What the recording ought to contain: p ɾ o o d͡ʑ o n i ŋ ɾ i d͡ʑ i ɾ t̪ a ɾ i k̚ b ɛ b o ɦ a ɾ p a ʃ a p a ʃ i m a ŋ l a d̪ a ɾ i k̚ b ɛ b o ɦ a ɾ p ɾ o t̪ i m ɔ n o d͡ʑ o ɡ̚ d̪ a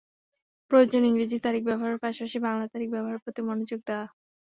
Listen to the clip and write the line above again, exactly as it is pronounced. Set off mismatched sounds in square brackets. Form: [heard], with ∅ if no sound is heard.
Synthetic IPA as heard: p ɾ o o d͡ʑ o n i ŋ ɾ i d͡ʑ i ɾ t̪ a ɾ i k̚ b ɛ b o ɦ a ɾ p a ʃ a p a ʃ i [b] a ŋ l a [t̪] a ɾ i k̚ b ɛ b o ɦ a ɾ p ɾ o t̪ i m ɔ n o d͡ʑ o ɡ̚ d̪ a